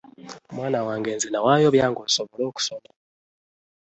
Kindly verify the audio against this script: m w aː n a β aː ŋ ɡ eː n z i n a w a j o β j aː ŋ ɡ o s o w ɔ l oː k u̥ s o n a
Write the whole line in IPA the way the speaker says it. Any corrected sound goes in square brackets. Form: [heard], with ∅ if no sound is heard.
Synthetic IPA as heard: m w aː n a [w] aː ŋ ɡ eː n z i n a w a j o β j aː ŋ ɡ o s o [β] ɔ l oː k u̥ s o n a